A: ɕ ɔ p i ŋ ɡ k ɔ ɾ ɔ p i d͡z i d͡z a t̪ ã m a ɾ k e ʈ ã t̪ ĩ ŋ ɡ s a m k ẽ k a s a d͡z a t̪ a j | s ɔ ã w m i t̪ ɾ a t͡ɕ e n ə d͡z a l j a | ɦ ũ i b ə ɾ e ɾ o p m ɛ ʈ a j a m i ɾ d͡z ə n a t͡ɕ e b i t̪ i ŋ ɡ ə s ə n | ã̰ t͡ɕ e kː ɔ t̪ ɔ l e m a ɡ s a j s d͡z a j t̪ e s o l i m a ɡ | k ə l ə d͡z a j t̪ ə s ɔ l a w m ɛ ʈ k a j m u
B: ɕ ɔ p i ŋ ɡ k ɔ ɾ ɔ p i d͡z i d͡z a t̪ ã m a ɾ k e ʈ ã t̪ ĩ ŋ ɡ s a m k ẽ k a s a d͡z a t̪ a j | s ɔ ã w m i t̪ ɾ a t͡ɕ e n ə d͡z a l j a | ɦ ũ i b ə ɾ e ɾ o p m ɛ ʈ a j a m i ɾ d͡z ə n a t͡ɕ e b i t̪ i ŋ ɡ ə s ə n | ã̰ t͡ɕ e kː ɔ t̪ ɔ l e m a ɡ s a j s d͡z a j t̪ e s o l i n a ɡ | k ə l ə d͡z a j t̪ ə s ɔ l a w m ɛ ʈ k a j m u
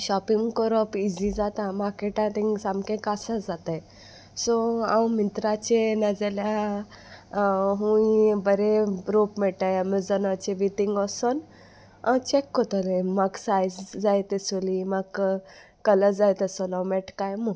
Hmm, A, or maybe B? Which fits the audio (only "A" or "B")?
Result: A